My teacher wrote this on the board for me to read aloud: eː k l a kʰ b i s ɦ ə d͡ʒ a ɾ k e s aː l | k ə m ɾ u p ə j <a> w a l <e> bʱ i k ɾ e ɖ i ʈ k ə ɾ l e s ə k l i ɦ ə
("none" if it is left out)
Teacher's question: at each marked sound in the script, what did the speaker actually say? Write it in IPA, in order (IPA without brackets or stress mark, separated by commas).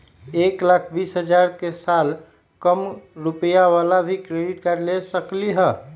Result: a, a